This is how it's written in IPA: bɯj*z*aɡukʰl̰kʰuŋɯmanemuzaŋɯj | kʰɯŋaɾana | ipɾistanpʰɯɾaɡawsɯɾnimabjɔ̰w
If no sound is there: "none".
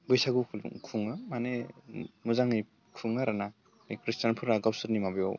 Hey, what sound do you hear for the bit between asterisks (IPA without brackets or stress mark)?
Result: s